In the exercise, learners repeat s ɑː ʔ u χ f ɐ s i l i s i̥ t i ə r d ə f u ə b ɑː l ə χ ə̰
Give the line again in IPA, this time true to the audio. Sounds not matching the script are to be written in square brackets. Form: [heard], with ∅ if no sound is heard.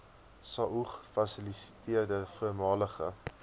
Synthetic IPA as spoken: s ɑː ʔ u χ f ɐ s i l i s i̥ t i ə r d ə f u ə [m] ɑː l ə χ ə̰